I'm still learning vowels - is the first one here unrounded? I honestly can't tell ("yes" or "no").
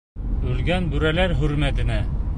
no